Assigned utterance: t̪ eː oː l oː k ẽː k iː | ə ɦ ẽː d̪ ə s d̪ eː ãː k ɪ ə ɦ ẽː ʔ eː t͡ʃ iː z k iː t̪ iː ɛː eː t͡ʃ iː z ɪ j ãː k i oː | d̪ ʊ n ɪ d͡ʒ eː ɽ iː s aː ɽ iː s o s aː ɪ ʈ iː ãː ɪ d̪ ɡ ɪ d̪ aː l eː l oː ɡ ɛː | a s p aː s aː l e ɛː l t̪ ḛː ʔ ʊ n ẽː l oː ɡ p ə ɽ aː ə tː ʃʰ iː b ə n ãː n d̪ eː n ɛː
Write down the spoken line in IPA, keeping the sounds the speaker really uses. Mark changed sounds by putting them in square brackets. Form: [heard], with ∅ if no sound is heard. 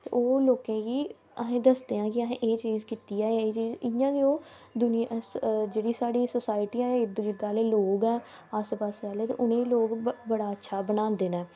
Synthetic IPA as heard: t̪ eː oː l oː k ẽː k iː | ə ɦ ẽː d̪ ə s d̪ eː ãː k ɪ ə ɦ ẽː ʔ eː t͡ʃ iː z k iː t̪ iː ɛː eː t͡ʃ iː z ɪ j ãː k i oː | d̪ ʊ n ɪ d͡ʒ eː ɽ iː s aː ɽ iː s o s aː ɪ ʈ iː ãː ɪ d̪ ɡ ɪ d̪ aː l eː l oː ɡ ɛː | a s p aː s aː l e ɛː [∅] t̪ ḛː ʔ ʊ n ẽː l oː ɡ [b] ə ɽ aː ə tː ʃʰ [aː] b ə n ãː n d̪ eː n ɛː

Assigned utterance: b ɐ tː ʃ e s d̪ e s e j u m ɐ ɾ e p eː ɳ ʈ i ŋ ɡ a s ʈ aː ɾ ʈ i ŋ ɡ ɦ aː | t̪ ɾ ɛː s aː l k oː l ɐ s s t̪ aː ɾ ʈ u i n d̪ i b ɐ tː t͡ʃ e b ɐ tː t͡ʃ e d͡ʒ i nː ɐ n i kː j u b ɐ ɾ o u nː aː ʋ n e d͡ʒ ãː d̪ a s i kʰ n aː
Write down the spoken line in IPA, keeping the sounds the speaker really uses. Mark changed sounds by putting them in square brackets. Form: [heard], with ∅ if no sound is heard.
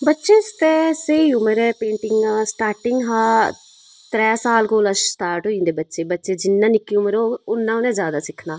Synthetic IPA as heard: b ɐ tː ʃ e s [t̪] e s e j u m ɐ ɾ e p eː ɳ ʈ i ŋ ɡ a s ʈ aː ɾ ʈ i ŋ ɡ ɦ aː | t̪ ɾ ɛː s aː l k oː l ɐ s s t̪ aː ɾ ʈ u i n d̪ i b ɐ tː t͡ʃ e b ɐ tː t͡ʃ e d͡ʒ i nː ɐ n i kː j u [m] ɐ ɾ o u nː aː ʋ n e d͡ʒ [aː] d̪ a s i kʰ n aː

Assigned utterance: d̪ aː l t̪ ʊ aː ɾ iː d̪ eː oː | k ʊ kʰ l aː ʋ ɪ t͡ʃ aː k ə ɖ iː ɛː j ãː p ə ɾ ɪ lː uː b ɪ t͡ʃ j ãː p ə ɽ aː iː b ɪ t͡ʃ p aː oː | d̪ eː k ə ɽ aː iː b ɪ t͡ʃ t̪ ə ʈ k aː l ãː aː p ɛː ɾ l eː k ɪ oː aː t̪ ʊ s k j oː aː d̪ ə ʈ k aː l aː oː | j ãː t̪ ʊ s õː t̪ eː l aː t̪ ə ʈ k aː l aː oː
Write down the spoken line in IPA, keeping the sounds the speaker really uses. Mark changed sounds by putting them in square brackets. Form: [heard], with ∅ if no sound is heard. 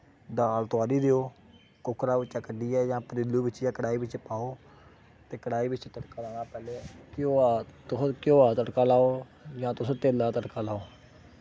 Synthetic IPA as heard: d̪ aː l t̪ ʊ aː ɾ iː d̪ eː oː | k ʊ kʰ [ɾ] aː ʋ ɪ t͡ʃ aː k ə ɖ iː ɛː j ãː p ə ɾ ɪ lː uː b ɪ t͡ʃ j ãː [k] ə ɽ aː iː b ɪ t͡ʃ p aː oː | [t̪] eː k ə ɽ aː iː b ɪ t͡ʃ t̪ ə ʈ k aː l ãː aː p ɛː [∅] l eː k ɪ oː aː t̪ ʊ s k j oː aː [t̪] ə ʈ k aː l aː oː | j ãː t̪ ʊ s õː t̪ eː l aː t̪ ə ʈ k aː l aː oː

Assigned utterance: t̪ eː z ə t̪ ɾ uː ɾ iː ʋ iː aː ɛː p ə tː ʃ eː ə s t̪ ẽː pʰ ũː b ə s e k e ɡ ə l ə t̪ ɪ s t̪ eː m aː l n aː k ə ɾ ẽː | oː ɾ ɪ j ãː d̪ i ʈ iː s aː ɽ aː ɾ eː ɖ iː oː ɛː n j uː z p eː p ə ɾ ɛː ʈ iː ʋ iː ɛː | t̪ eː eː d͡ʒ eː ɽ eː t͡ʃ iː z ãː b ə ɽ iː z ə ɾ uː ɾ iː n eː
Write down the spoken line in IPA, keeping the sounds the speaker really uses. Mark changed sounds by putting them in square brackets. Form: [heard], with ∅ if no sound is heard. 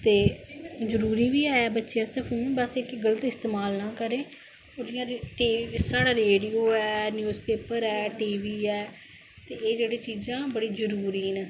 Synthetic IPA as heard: t̪ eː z ə [∅] ɾ uː ɾ iː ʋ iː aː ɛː [b] ə tː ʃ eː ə s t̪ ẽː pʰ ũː b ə s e k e ɡ ə l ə t̪ ɪ s t̪ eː m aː l n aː k ə ɾ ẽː | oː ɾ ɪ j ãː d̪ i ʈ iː s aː ɽ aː ɾ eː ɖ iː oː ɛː n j uː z p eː p ə ɾ ɛː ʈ iː ʋ iː ɛː | t̪ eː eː d͡ʒ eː ɽ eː t͡ʃ iː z ãː b ə ɽ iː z ə ɾ uː ɾ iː n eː

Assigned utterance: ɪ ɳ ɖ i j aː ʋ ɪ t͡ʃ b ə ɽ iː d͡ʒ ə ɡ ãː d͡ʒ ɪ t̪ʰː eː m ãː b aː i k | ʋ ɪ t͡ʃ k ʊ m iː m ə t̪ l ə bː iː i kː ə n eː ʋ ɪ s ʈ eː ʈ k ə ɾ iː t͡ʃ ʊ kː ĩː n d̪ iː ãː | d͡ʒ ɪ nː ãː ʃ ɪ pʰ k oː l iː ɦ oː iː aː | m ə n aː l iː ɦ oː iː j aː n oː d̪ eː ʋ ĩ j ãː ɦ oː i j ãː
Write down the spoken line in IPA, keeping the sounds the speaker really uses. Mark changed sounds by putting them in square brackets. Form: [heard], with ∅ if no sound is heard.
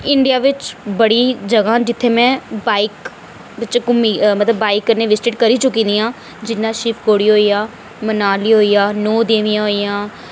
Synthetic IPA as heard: ɪ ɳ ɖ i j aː ʋ ɪ t͡ʃ b ə ɽ iː d͡ʒ ə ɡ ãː d͡ʒ ɪ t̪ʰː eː m [ɛ̃ː] b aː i k | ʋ ɪ t͡ʃ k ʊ m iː m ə t̪ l ə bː [aː] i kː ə n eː ʋ ɪ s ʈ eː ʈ k ə ɾ iː t͡ʃ ʊ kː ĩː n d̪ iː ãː | d͡ʒ ɪ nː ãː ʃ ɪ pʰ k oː [ɽ] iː ɦ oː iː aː | m ə n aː l iː ɦ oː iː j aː n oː d̪ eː ʋ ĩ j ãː ɦ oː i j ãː

